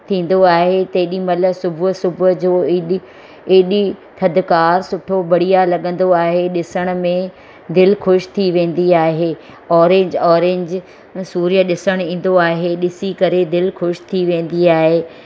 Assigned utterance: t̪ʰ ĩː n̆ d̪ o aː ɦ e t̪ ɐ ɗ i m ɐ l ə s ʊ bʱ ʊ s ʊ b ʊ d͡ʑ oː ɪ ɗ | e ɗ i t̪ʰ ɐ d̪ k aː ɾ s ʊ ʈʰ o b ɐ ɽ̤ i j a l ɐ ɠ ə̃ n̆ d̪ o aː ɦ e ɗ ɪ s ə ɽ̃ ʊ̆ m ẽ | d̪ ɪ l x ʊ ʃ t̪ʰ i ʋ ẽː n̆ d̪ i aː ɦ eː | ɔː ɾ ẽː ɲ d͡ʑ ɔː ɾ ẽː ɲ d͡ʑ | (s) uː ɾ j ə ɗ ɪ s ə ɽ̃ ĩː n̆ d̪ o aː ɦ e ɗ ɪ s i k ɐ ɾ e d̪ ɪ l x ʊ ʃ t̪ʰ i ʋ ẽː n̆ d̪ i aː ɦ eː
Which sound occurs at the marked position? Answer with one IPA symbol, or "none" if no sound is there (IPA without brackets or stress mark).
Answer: s